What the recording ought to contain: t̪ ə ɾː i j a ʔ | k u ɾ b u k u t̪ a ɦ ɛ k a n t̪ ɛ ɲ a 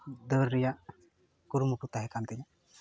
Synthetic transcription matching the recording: d̪ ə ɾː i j a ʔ | k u ɾ m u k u t̪ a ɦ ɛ k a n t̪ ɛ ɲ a